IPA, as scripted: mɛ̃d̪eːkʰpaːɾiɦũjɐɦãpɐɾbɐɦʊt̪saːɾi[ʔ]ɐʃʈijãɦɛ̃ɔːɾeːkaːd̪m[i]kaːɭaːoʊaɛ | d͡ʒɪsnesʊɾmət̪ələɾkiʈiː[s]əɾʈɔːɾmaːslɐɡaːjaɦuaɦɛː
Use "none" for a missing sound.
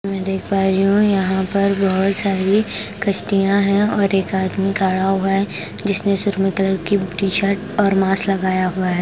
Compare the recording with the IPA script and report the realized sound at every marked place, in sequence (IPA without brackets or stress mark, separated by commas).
k, i, ʃ